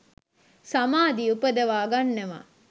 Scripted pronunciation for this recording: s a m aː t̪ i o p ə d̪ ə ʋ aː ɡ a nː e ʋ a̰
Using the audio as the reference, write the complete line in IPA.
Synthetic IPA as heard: s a m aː d̪ i u p ə d̪ ə ʋ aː ɡ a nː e ʋ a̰